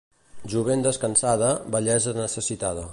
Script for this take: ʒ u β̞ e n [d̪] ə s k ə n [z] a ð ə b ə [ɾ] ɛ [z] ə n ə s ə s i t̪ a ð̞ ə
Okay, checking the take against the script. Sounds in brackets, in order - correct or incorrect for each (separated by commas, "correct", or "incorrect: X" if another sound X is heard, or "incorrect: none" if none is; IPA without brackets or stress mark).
correct, incorrect: s, incorrect: ʎ, correct